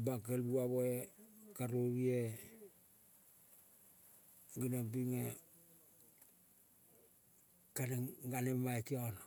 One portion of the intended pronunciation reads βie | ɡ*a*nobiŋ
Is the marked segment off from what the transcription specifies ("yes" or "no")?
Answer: yes